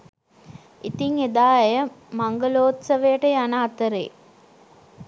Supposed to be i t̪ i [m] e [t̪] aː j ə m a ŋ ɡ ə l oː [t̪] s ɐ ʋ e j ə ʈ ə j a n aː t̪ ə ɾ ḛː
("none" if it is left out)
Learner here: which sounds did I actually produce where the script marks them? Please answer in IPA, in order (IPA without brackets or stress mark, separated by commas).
ŋ, d̪, t̪